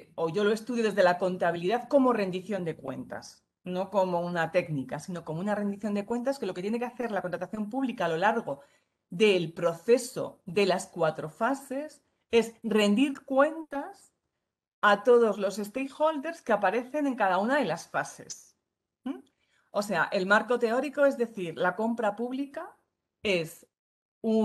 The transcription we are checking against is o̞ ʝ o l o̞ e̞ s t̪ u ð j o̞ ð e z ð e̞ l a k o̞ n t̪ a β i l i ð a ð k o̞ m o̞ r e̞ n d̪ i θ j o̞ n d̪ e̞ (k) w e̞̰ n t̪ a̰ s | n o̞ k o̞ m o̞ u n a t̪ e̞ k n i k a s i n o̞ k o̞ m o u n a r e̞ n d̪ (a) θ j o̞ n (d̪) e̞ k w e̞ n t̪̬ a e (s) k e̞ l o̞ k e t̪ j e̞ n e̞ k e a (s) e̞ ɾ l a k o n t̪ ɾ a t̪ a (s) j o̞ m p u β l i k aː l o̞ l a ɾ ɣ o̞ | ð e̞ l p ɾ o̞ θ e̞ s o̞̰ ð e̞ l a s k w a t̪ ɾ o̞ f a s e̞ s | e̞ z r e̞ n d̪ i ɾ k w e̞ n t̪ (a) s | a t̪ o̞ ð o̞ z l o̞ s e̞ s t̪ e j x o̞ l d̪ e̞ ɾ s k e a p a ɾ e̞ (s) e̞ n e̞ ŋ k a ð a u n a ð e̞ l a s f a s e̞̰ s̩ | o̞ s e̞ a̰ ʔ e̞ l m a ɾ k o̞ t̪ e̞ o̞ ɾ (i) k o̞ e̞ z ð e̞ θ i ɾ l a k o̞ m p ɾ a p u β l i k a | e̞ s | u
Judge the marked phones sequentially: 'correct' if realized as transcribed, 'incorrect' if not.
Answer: correct, incorrect: i, correct, correct, incorrect: θ, incorrect: θ, correct, incorrect: θ, correct

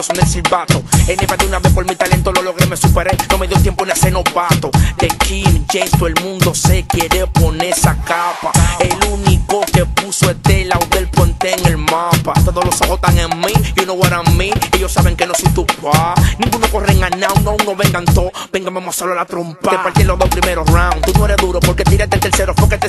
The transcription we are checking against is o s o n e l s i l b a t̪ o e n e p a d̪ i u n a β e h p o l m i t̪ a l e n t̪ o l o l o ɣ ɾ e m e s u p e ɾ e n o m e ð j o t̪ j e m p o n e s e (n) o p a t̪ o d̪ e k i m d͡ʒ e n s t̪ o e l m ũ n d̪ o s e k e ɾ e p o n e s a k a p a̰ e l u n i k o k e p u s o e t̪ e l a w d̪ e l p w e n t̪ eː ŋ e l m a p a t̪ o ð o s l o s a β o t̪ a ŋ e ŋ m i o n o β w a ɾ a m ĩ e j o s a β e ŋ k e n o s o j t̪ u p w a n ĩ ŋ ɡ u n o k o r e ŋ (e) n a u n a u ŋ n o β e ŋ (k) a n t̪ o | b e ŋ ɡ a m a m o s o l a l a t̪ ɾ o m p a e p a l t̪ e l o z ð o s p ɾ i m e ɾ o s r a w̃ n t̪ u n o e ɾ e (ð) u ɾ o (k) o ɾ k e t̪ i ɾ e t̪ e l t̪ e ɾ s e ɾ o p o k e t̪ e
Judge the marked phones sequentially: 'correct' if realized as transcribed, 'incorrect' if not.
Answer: correct, incorrect: a, incorrect: ɡ, correct, incorrect: p

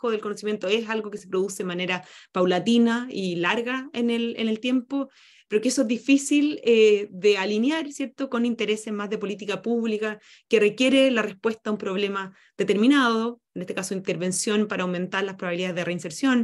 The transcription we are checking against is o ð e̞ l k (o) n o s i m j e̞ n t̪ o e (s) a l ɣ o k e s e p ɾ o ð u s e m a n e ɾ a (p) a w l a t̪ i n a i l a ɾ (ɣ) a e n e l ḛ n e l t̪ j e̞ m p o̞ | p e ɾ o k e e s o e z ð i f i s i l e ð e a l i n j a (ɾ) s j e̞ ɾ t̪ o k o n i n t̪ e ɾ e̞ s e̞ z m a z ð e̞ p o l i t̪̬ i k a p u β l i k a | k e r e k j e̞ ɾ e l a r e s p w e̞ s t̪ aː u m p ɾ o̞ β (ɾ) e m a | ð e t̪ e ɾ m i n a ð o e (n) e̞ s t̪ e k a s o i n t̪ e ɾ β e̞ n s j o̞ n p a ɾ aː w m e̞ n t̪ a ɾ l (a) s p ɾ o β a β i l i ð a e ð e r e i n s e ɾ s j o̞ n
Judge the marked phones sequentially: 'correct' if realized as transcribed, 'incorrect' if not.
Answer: correct, correct, correct, correct, correct, incorrect: l, correct, correct

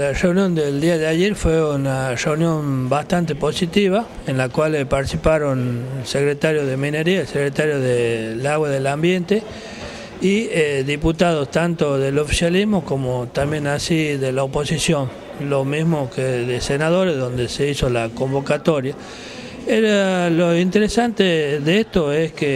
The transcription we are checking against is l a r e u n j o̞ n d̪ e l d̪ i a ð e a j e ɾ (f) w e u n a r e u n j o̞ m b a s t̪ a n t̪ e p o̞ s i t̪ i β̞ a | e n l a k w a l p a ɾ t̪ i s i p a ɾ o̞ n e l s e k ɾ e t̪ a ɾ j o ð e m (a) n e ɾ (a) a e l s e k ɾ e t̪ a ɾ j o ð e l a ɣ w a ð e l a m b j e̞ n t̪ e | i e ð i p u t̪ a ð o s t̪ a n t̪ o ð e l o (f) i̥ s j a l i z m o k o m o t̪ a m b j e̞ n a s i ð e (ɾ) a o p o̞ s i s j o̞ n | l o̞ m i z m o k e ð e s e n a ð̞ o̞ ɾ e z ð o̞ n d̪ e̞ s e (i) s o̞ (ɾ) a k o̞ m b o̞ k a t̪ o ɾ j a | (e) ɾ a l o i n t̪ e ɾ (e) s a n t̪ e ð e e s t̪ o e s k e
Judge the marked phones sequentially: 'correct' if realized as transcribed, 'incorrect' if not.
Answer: correct, incorrect: i, incorrect: i, correct, incorrect: l, correct, incorrect: l, correct, correct

